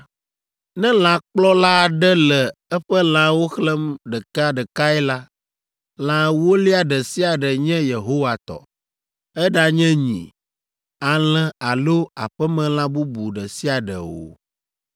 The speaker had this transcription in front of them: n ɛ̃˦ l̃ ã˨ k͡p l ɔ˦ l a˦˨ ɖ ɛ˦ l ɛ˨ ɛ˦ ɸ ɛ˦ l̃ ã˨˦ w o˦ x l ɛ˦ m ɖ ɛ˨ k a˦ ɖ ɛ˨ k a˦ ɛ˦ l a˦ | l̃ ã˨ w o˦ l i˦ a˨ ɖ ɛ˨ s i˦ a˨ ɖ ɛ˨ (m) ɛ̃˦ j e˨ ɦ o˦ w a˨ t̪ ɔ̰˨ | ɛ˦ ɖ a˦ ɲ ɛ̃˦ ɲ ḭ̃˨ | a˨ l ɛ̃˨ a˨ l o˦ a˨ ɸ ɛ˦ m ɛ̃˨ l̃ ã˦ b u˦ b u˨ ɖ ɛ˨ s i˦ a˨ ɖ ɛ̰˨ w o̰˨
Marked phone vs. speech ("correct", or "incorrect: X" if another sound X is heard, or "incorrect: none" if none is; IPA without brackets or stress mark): incorrect: ɲ